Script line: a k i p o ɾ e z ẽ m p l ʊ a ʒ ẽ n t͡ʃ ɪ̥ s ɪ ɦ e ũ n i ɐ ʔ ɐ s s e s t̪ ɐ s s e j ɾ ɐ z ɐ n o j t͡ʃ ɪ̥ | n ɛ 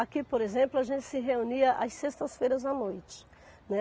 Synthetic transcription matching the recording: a k i p o ɾ e z ẽ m p l ʊ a ʒ ẽ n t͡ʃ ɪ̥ s ɪ ɦ e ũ n i ɐ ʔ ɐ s s e s t̪ ɐ s f e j ɾ ɐ z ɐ n o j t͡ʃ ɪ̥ | n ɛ